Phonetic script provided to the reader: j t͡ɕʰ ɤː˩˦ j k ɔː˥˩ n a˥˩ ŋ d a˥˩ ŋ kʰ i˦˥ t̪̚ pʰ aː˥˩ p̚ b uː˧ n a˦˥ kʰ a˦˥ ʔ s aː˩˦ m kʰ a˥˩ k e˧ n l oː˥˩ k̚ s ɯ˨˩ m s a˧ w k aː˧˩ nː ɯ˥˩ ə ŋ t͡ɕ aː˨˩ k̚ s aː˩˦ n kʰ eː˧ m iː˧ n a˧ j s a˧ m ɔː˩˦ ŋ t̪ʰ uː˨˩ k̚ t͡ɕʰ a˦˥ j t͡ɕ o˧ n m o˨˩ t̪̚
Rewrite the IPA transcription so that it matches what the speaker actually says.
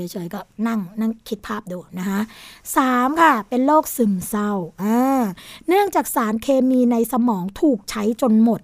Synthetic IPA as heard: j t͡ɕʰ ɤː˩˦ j k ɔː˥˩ n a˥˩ ŋ n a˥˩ ŋ kʰ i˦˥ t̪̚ pʰ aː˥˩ p̚ d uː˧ n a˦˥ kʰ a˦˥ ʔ s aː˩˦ m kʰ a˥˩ p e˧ n l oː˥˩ k̚ s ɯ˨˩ m s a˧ w ʔ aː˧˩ n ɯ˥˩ ə ŋ t͡ɕ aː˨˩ k̚ s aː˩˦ n kʰ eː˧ m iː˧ n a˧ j s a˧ m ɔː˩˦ ŋ t̪ʰ uː˨˩ k̚ t͡ɕʰ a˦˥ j t͡ɕ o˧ n m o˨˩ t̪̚